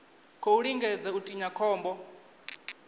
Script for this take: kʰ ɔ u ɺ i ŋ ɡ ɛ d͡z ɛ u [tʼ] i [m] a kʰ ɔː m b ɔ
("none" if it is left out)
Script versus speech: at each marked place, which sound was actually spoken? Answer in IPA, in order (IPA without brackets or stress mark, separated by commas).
tʼ, ɲ